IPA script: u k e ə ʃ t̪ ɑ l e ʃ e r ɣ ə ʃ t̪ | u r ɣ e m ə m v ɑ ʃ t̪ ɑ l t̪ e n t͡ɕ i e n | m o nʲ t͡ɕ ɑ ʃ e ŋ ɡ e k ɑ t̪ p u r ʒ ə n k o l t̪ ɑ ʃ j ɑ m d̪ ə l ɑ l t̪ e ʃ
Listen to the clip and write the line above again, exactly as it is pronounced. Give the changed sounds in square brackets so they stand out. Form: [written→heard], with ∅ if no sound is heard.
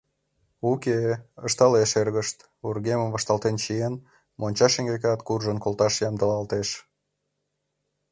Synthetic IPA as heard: u k e ə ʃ t̪ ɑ l e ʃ e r ɣ ə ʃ t̪ | u r ɣ e m ə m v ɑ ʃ t̪ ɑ l t̪ e n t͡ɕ i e n | m o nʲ t͡ɕ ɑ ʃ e ŋ ɡ e k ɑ t̪ [p→k] u r ʒ ə n k o l t̪ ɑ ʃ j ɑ m d̪ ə l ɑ l t̪ e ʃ